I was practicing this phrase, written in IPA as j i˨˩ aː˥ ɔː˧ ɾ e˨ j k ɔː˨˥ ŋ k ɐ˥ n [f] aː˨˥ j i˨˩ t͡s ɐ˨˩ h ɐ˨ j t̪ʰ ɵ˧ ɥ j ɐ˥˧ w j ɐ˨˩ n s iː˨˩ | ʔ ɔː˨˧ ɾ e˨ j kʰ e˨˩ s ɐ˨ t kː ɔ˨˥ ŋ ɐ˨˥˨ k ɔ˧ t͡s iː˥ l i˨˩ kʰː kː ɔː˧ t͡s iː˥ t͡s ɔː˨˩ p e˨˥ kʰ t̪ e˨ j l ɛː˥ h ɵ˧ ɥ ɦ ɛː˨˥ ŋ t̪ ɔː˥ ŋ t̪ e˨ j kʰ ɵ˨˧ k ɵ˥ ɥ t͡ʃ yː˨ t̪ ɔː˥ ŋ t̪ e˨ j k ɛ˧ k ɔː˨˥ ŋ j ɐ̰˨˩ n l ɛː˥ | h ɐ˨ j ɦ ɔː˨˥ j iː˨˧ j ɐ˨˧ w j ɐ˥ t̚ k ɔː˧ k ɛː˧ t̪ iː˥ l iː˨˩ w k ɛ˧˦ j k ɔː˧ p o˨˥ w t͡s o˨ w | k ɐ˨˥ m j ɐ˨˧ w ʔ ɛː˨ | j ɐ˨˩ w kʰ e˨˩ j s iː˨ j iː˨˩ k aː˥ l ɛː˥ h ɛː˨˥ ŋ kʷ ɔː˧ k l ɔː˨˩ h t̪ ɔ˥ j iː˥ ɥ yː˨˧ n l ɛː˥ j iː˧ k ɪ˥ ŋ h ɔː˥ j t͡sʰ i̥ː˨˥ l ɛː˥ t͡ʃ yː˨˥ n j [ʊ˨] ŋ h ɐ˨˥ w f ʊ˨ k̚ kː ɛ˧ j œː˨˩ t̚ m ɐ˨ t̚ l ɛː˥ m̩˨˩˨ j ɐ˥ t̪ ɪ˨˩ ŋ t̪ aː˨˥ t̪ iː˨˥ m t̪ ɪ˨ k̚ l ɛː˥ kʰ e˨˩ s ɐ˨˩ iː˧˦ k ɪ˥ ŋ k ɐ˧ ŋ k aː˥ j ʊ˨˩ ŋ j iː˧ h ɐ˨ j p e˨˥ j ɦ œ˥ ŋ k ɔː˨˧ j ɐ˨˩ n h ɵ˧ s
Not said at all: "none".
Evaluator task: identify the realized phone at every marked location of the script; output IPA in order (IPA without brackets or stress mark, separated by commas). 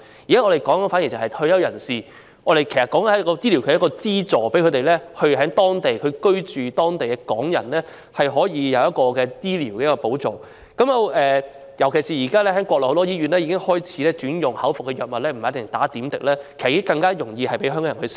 f, ʊ˨